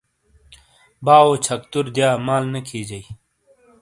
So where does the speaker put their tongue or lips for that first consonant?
lips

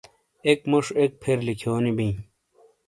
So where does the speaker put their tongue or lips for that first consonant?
velum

